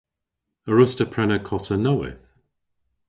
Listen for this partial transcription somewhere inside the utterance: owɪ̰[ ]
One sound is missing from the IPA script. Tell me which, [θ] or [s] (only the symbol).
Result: θ